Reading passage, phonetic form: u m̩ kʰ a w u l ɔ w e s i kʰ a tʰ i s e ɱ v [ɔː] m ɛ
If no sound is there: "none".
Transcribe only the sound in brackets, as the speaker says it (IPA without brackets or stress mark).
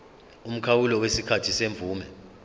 uː